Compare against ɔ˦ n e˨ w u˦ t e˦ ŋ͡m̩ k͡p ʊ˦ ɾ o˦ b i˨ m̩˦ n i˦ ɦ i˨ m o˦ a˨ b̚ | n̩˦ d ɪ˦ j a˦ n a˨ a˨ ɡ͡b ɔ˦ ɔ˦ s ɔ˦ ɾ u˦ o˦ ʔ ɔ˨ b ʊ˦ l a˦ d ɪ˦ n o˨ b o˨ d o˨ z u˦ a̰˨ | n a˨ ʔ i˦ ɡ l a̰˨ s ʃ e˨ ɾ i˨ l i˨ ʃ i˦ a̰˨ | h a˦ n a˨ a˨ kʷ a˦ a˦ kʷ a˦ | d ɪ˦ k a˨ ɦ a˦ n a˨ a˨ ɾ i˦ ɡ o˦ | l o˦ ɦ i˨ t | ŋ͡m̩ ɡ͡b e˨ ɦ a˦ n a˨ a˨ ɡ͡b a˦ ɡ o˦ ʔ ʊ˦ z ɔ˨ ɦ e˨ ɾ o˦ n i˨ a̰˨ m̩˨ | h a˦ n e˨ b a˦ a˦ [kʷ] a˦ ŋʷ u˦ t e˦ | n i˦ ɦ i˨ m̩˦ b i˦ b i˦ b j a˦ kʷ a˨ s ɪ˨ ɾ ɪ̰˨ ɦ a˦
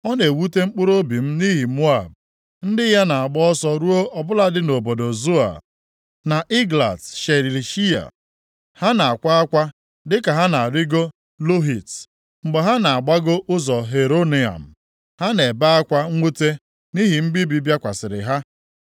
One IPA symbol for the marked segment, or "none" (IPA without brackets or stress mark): kʷ